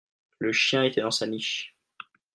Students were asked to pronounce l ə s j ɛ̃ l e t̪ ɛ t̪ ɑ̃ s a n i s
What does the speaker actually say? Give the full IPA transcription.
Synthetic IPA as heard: l ə ʃ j ɛ̃ e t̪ ɛ d̪ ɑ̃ s a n i ʃ